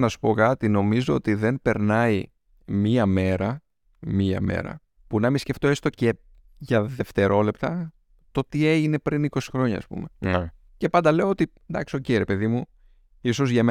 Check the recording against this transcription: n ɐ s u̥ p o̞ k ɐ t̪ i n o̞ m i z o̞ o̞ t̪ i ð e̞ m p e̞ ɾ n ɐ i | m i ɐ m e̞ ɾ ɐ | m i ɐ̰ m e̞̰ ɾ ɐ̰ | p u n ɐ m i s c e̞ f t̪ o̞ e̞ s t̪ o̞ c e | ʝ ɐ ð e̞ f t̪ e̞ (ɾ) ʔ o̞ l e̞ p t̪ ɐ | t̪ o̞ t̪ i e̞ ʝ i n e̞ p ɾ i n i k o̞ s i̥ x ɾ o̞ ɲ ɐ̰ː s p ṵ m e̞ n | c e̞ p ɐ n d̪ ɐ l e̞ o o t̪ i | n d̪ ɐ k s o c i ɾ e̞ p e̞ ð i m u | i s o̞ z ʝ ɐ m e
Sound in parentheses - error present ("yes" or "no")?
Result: no